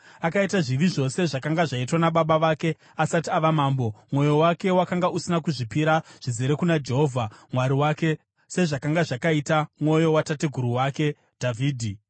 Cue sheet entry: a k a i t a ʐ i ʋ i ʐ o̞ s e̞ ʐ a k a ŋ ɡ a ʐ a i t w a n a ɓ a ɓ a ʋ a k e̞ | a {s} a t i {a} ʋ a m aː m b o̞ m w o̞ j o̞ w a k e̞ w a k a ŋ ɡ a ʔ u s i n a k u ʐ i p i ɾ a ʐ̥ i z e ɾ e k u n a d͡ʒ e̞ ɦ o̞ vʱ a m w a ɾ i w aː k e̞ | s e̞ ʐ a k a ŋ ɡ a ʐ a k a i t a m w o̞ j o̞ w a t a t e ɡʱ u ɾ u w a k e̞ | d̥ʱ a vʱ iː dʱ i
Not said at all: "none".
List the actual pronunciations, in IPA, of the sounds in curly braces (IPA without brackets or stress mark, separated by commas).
s, a